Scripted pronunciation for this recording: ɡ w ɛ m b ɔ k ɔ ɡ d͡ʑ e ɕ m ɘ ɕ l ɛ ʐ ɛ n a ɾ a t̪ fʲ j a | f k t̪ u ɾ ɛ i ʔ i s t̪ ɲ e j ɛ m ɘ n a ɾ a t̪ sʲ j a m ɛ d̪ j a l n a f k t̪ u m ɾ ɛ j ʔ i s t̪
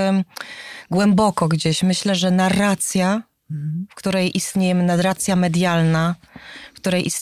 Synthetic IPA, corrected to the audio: ɡ w ɛ m b ɔ k ɔ ɡ d͡ʑ e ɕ m ɘ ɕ l ɛ ʐ ɛ n a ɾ a t̪ sʲ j a | f k t̪ u ɾ ɛ j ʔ i s t̪ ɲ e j ɛ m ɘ n a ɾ a t̪ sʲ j a m ɛ d̪ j a l n a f k t̪ u ɾ ɛ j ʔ i s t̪